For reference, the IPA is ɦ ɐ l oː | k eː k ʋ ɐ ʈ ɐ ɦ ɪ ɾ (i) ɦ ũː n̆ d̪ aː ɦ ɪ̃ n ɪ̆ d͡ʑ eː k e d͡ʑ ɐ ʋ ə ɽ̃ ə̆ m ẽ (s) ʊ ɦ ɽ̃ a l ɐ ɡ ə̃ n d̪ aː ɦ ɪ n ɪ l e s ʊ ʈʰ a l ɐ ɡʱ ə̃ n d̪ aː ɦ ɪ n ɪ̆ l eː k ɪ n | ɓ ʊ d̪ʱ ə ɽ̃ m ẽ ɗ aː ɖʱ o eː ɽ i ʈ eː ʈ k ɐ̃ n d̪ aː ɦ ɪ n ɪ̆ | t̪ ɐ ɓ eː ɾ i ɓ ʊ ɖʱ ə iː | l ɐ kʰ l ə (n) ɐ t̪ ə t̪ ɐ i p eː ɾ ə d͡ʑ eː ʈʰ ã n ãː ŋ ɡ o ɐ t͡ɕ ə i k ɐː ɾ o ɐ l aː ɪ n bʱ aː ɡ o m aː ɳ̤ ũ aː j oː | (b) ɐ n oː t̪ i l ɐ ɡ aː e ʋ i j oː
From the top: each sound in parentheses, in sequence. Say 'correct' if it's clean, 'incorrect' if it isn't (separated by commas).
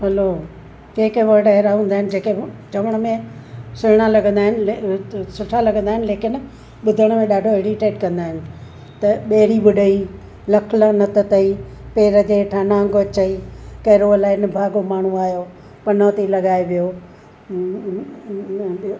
incorrect, correct, correct, incorrect